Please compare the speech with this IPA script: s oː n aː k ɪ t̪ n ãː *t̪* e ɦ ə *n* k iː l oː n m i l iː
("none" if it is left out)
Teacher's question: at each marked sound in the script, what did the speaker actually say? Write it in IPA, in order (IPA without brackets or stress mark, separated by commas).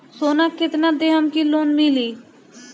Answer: d̪, m